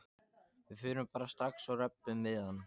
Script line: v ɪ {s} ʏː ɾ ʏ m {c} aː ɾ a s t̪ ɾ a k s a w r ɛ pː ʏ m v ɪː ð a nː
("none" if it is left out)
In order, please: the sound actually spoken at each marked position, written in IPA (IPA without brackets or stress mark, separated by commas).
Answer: f, p